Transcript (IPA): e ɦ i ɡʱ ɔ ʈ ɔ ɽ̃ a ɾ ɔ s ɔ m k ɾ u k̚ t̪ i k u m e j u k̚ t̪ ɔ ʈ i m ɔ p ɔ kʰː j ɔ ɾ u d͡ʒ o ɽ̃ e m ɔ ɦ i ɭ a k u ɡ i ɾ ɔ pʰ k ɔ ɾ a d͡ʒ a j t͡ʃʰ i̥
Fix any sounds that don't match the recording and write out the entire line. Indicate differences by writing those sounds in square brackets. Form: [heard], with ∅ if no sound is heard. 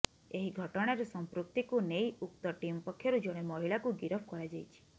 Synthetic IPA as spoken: e ɦ i ɡʱ ɔ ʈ ɔ ɽ̃ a ɾ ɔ s ɔ m [p] ɾ u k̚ t̪ i k u [n] e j u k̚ t̪ ɔ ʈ i m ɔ p ɔ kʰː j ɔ ɾ u d͡ʒ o ɽ̃ e m ɔ ɦ i ɭ a k u ɡ i ɾ ɔ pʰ k ɔ ɾ a d͡ʒ a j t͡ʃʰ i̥